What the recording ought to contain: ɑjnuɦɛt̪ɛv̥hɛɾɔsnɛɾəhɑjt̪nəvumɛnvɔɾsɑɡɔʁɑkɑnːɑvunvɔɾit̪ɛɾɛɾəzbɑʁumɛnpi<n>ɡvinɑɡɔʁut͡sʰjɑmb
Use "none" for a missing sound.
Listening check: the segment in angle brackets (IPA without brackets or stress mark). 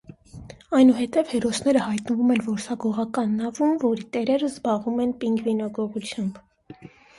ŋ